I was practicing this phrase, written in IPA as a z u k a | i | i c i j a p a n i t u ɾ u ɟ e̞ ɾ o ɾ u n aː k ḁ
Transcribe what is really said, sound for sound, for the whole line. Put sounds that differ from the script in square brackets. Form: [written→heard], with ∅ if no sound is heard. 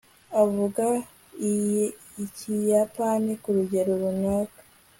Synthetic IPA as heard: a [z→v] u [k→ɡ] a | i | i c i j a p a n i [t→k] u ɾ u ɟ e̞ ɾ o ɾ u n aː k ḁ